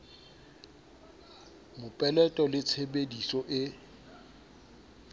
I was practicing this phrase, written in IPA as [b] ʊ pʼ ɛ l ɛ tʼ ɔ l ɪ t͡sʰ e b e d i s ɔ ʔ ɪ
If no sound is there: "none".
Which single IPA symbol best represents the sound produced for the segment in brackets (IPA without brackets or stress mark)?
m